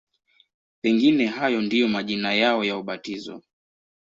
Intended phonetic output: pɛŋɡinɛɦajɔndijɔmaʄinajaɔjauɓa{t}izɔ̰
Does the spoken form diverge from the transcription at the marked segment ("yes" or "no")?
no